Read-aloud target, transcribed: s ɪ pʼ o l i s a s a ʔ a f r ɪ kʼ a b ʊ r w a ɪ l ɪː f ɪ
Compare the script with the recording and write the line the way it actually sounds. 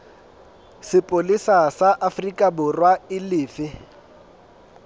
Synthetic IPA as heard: s ɪ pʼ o l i s a s a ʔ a f r i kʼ a b ʊ r w a ɪ l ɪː f ɪ